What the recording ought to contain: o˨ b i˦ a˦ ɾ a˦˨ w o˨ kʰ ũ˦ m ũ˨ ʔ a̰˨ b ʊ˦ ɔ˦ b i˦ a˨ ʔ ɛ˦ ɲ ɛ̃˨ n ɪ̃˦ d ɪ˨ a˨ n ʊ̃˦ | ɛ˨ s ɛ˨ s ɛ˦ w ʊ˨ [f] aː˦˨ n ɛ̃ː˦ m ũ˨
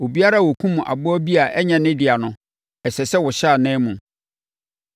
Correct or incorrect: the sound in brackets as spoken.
incorrect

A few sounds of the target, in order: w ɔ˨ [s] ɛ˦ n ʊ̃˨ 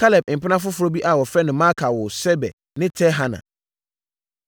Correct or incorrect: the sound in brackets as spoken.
incorrect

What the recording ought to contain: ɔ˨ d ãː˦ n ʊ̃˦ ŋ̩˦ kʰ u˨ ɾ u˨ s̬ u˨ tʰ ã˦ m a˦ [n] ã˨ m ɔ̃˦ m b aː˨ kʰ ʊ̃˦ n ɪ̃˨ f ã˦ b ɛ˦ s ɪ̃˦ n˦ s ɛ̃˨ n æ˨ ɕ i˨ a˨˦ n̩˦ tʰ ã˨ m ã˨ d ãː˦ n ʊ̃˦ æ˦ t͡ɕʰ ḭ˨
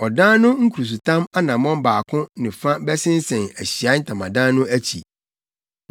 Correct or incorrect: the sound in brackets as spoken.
correct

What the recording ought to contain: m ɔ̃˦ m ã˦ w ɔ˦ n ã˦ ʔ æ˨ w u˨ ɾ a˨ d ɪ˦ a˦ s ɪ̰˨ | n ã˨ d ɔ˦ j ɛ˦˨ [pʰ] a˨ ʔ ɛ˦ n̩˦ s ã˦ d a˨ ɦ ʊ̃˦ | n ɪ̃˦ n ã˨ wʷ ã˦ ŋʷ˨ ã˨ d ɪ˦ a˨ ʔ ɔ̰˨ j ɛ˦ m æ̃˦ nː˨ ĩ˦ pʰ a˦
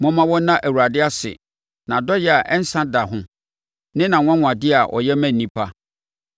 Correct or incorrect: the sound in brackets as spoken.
incorrect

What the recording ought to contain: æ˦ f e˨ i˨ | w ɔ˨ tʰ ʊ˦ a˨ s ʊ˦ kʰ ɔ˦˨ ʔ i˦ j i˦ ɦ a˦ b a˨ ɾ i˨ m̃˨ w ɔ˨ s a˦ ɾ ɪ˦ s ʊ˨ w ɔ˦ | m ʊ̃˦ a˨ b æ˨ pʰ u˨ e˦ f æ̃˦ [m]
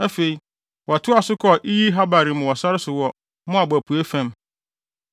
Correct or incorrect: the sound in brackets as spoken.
correct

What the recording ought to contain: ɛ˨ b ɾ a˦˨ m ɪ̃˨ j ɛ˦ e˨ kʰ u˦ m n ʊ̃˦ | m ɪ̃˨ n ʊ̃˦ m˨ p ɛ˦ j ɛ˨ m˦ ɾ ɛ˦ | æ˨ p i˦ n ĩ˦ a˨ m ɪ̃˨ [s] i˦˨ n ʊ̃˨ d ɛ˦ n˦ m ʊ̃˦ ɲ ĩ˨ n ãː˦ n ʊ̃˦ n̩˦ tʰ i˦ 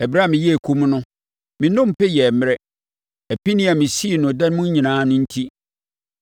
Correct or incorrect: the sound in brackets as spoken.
correct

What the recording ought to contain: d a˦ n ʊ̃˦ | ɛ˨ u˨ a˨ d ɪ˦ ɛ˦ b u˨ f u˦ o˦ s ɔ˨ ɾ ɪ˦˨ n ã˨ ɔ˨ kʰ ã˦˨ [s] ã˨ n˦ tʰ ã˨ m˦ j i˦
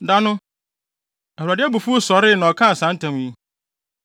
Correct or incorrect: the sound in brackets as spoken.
correct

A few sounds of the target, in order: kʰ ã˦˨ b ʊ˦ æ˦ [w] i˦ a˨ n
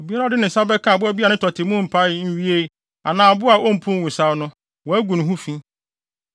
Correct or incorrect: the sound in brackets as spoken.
incorrect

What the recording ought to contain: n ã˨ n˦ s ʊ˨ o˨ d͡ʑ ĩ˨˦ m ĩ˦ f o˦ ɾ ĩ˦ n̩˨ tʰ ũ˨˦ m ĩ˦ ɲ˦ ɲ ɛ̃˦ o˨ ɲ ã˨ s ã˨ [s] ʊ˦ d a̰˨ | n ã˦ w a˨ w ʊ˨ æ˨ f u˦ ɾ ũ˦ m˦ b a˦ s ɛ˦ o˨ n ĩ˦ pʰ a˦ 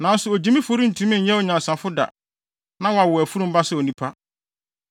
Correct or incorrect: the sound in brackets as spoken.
incorrect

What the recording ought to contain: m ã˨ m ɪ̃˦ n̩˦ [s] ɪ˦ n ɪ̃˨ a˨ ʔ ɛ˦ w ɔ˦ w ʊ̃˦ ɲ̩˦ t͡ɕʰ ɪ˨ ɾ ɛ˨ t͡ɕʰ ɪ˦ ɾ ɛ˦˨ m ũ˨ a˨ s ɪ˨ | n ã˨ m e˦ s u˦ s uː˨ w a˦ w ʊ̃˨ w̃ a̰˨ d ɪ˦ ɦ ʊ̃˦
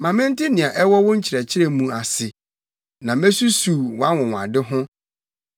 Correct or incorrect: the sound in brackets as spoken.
incorrect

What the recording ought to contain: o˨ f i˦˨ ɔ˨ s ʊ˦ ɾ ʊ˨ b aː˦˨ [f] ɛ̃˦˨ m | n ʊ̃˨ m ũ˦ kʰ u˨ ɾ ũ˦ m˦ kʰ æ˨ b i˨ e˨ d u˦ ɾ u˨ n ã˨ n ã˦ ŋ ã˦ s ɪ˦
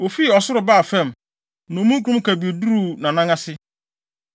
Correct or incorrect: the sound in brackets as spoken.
correct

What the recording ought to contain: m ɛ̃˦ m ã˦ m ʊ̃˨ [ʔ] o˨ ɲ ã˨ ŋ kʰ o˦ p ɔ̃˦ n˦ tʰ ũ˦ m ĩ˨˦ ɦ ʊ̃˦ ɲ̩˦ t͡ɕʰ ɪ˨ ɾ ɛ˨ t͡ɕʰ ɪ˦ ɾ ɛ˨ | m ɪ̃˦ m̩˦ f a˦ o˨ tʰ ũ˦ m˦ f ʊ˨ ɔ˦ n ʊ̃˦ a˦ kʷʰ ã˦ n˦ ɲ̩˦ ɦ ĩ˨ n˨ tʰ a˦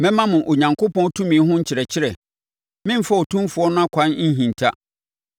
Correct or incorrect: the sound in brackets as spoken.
correct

